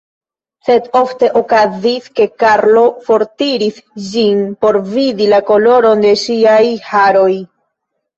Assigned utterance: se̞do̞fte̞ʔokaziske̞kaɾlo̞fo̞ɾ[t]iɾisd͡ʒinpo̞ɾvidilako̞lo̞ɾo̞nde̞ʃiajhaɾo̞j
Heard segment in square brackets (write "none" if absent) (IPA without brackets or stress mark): t